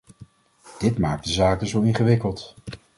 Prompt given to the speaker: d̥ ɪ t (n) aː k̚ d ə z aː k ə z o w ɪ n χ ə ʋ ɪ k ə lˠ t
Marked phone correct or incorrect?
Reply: incorrect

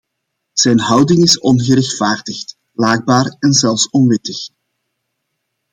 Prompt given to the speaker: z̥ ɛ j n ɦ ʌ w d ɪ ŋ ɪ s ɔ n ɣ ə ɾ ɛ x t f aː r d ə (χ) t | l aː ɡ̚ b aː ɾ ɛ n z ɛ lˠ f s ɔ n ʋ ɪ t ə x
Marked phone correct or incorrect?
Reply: incorrect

